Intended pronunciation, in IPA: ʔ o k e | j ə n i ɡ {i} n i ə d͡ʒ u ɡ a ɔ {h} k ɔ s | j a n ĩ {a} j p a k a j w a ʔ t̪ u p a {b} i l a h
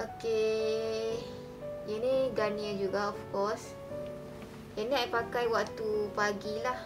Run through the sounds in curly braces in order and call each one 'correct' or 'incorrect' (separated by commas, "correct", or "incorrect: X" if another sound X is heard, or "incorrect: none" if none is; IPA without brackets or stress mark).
incorrect: a, incorrect: f, correct, incorrect: ɡ